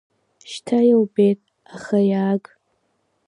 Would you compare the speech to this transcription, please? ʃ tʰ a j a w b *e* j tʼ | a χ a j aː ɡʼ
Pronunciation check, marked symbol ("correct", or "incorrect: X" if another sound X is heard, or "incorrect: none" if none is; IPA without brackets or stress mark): correct